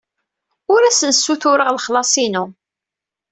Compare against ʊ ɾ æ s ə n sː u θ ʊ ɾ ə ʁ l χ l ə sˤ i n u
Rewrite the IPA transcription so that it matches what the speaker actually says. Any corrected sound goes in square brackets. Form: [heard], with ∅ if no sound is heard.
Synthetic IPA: ʊ ɾ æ s ə n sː u θ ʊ ɾ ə ʁ l χ l [ɑ] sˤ i n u